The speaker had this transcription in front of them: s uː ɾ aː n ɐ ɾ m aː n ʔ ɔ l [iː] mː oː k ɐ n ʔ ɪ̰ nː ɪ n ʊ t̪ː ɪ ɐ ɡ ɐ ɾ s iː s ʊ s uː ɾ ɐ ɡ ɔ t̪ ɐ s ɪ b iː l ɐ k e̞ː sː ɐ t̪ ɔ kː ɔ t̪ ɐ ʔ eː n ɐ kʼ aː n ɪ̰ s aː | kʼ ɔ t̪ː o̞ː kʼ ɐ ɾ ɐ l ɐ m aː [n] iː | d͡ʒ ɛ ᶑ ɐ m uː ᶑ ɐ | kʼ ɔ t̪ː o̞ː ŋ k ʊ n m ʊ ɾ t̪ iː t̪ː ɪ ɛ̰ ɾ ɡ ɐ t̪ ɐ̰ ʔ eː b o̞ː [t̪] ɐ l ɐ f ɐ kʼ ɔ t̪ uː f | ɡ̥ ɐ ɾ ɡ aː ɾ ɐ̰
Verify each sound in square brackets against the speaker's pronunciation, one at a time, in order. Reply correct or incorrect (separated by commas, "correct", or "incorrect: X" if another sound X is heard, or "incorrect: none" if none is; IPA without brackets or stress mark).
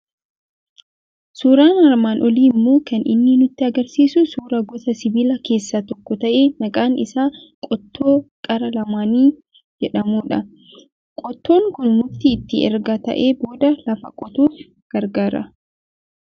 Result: correct, correct, incorrect: d̪